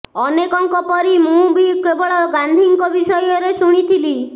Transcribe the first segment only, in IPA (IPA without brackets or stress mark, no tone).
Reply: ɔ